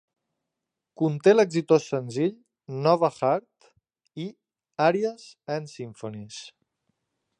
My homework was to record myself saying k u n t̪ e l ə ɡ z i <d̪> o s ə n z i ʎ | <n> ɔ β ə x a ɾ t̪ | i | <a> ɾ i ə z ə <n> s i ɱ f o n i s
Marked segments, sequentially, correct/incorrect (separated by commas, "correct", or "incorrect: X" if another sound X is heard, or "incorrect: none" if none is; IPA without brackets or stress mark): incorrect: t̪, correct, correct, correct